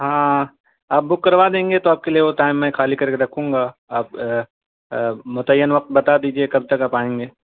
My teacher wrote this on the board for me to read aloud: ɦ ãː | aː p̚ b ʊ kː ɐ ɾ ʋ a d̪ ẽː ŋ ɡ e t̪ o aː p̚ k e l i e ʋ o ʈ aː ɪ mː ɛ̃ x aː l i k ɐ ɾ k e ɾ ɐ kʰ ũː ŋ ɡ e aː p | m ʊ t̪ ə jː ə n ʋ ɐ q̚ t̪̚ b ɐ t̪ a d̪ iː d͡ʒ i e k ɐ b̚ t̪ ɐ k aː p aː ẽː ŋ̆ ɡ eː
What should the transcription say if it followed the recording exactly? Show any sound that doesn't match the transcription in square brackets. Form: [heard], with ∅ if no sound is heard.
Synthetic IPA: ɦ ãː | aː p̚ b ʊ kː ɐ ɾ ʋ a d̪ ẽː ŋ ɡ e t̪ o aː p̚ k e l i e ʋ o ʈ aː ɪ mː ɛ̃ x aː l i k ɐ ɾ k e ɾ ɐ kʰ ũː ŋ ɡ [a] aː p | m ʊ t̪ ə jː ə n ʋ ɐ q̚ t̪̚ b ɐ t̪ a d̪ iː d͡ʒ i e k ɐ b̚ t̪ ɐ k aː p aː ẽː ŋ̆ ɡ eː